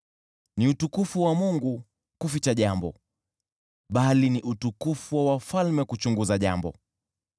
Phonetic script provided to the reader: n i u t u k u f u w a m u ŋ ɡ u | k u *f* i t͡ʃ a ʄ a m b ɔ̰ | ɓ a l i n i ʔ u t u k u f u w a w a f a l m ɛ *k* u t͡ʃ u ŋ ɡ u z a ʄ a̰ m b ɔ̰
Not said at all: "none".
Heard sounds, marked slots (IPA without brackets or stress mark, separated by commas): f, k